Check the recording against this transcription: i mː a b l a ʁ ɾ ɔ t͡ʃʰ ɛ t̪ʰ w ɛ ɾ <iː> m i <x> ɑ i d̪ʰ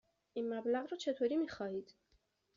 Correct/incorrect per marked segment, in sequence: incorrect: i, incorrect: χ

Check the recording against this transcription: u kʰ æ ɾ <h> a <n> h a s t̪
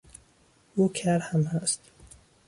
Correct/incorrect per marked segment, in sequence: correct, incorrect: m

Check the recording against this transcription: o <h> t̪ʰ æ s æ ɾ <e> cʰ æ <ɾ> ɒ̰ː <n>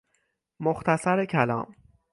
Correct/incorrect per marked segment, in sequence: incorrect: x, correct, incorrect: l, incorrect: m

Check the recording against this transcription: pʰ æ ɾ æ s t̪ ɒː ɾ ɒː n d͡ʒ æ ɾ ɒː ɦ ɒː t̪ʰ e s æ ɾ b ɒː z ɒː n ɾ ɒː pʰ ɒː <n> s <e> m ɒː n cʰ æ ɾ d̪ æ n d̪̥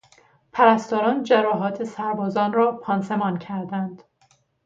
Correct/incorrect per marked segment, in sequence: correct, correct

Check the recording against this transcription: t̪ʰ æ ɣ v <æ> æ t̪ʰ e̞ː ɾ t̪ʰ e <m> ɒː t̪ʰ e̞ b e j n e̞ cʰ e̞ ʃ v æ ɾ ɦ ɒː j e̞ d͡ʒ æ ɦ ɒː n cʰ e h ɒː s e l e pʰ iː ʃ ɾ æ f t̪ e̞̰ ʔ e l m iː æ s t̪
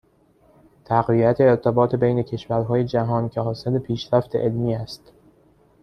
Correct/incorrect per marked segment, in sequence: incorrect: i, incorrect: b

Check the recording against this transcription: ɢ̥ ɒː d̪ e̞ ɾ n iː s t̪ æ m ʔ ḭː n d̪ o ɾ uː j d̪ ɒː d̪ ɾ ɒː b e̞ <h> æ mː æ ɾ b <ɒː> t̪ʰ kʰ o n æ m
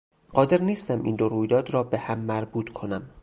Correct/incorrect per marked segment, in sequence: correct, incorrect: uː

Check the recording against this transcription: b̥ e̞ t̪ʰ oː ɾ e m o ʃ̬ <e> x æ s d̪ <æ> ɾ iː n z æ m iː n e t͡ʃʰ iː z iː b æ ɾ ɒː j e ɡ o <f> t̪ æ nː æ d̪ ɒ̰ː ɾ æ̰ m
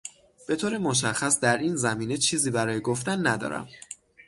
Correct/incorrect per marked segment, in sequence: incorrect: æ, correct, correct

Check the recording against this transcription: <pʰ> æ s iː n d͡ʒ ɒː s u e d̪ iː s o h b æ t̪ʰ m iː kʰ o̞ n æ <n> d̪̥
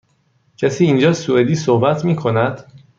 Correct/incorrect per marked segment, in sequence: incorrect: cʰ, incorrect: none

